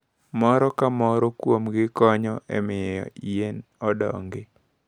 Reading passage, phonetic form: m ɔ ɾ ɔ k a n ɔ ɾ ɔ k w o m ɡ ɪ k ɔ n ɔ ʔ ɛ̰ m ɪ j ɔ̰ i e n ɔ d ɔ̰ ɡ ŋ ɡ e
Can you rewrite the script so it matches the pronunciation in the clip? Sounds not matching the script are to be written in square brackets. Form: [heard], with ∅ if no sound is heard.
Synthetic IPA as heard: m ɔ ɾ ɔ k a [m] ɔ ɾ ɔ k w o m ɡ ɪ k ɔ [ɲ] ɔ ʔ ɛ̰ m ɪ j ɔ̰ i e n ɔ d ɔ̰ [∅] ŋ ɡ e